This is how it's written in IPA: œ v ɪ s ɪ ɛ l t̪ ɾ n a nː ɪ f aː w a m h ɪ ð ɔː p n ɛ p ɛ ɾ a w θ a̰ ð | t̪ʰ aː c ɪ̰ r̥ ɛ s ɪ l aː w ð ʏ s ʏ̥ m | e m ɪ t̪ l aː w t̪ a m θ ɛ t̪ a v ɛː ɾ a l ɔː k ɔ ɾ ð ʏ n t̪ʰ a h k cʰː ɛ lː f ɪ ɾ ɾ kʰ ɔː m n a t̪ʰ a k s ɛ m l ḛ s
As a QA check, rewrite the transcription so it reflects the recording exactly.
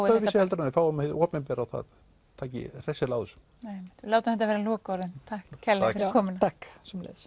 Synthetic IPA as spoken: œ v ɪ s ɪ ɛ l t̪ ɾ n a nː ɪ f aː w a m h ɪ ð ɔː p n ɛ p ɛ ɾ a w θ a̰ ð | t̪ʰ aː c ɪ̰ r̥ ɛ s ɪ l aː w ð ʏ s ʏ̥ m | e m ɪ t̪ l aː w t̪ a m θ ɛ t̪ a v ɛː ɾ a l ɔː k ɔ ɾ ð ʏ n t̪ʰ a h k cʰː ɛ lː f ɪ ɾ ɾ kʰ ɔː m n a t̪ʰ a k s ɛ m l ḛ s